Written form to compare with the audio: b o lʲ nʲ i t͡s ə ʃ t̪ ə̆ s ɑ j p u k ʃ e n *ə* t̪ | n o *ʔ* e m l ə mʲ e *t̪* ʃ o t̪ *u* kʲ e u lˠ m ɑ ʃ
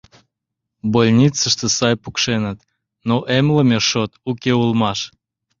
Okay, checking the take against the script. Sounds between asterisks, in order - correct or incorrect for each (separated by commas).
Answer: correct, correct, incorrect, correct